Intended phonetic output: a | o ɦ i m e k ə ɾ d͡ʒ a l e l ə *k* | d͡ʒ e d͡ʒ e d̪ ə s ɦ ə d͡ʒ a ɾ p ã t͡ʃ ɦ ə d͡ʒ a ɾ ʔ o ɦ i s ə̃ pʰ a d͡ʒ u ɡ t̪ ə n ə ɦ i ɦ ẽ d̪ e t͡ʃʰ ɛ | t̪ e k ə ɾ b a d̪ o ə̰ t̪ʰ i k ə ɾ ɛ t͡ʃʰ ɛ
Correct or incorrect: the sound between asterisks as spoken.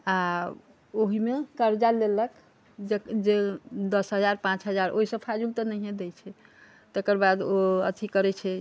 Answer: correct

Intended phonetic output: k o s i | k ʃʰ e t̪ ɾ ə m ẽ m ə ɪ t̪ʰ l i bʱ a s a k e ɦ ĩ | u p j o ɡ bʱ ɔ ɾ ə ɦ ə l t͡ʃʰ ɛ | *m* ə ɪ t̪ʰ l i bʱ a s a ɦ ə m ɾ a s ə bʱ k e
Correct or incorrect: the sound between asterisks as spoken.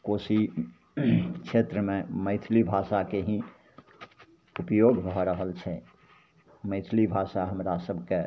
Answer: correct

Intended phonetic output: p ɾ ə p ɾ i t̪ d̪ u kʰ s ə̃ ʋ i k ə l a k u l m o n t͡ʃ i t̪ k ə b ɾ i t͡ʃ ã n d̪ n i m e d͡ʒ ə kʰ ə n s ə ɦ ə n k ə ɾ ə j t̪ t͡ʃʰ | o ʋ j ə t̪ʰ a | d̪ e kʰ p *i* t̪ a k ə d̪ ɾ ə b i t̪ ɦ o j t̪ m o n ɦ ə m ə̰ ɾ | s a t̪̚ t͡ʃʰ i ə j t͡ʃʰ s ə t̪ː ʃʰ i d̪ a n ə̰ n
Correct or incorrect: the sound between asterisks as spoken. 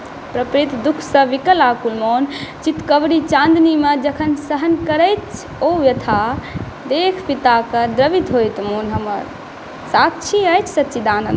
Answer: correct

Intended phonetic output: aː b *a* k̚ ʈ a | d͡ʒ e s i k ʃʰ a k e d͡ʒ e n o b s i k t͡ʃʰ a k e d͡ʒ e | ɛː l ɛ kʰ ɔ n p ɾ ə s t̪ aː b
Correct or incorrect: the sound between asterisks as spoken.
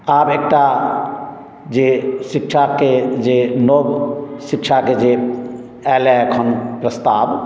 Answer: incorrect: e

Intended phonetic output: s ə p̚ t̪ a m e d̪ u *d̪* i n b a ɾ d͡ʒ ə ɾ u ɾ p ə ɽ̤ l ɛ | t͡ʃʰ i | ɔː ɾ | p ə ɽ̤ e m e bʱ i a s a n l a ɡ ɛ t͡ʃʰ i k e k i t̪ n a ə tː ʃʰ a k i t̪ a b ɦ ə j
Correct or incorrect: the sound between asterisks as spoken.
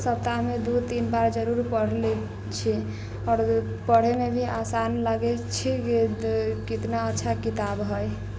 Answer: incorrect: t̪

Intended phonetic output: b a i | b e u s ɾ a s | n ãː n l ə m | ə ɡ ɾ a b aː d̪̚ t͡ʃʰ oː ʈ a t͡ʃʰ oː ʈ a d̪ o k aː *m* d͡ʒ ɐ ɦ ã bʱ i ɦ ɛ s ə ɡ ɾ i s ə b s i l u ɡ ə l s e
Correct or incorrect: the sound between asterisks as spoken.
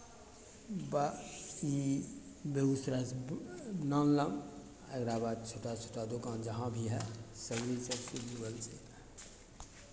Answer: incorrect: n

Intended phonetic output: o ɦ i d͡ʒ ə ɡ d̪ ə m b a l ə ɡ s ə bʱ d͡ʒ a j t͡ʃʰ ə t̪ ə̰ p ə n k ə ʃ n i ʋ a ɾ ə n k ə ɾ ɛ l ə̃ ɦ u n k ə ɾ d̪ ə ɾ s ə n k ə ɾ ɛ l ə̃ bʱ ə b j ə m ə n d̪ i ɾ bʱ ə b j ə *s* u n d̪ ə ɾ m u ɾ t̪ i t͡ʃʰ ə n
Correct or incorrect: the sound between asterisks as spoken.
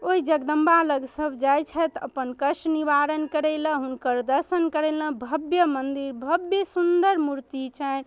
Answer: correct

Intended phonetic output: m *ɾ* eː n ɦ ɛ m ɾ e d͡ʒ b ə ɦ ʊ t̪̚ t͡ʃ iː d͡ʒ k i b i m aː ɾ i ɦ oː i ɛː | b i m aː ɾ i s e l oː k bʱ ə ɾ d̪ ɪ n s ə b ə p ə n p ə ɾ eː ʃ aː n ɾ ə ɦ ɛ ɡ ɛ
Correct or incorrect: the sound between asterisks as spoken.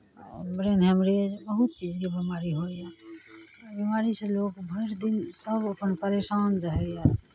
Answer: correct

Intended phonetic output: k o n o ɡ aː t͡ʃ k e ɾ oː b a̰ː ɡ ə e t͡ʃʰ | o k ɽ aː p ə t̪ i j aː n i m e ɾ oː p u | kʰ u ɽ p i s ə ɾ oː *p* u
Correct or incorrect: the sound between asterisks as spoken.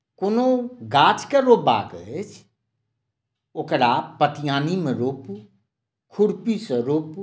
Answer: correct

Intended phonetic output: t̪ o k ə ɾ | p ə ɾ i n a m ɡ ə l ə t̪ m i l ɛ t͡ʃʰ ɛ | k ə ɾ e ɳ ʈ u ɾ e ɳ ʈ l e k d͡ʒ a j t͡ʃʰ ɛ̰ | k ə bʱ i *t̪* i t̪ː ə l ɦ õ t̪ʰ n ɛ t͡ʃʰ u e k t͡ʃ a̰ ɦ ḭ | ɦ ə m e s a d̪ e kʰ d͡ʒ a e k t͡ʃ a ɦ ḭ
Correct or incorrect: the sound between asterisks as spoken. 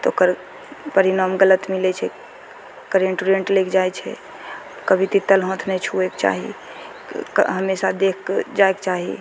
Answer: correct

